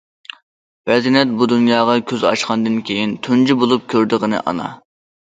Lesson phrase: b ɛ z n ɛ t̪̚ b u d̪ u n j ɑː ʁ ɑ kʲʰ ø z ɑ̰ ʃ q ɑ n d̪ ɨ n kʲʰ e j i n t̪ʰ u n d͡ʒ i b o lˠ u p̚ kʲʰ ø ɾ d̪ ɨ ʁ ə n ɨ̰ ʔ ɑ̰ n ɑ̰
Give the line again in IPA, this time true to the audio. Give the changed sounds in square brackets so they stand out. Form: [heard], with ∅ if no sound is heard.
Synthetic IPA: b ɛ z n ɛ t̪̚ b u d̪ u n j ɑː ʁ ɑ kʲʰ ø z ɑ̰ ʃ q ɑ n d̪ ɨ n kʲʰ e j i n t̪ʰ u n d͡ʒ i b o lˠ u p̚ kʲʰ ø ɾ d̪ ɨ ʁ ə n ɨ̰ ʔ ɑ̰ n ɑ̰